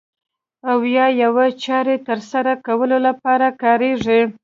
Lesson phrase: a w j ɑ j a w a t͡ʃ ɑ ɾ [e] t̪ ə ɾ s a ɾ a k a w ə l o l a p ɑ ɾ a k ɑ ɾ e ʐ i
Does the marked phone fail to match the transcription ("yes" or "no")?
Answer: no